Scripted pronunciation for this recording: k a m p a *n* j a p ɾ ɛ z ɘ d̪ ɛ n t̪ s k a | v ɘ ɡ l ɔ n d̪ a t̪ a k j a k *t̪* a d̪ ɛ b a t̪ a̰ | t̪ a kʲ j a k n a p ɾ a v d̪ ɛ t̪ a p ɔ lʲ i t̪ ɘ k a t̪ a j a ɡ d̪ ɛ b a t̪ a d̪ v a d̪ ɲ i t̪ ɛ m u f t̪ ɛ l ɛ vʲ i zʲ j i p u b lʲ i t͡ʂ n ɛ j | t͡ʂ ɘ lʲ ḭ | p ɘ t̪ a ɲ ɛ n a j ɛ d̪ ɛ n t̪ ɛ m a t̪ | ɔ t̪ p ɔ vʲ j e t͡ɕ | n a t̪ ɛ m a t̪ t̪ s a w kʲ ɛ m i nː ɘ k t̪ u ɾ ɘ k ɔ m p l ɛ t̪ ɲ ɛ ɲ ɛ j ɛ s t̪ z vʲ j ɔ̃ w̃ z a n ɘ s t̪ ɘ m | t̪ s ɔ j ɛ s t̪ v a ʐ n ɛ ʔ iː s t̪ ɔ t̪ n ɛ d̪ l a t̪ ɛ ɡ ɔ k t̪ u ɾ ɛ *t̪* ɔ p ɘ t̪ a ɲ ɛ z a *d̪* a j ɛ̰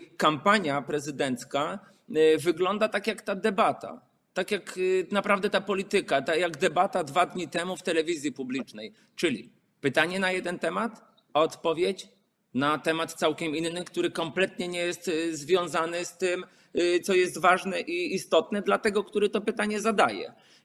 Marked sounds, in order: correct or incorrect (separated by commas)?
incorrect, correct, correct, correct